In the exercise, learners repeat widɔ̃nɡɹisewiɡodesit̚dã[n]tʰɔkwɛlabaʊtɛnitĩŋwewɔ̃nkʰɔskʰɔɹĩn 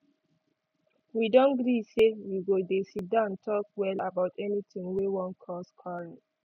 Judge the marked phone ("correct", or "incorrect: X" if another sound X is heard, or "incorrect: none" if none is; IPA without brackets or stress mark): correct